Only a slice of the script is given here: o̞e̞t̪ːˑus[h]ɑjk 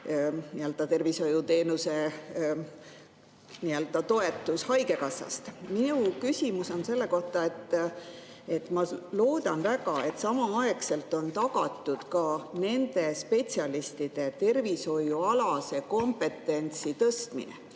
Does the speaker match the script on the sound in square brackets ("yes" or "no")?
yes